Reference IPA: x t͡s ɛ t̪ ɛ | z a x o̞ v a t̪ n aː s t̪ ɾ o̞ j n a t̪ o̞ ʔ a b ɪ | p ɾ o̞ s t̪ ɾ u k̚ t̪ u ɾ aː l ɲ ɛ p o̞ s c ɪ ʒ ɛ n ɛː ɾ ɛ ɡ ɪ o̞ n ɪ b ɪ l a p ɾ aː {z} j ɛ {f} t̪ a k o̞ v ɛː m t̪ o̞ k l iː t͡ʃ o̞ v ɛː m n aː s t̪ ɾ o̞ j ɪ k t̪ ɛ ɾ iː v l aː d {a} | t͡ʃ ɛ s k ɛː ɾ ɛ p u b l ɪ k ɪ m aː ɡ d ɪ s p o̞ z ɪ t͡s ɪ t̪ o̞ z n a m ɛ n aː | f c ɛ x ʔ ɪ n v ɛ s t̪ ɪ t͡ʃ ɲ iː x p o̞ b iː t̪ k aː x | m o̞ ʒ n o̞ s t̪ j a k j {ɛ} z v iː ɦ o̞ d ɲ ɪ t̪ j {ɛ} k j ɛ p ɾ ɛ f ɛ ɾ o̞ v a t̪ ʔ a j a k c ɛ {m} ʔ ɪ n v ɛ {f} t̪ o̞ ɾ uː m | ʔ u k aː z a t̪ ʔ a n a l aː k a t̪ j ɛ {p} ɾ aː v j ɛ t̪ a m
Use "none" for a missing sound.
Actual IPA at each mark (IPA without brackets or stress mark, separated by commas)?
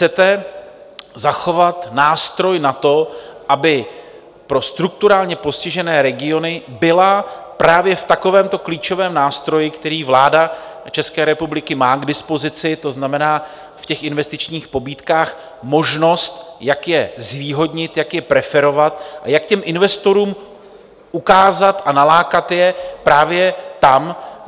v, f, a, ɛ, a, m, s, p